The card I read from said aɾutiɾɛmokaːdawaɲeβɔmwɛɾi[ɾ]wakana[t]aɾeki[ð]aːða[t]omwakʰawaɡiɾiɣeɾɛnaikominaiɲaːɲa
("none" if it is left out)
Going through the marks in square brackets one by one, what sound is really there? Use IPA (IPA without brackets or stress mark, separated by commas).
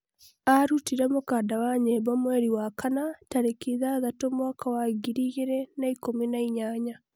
none, t, ð, t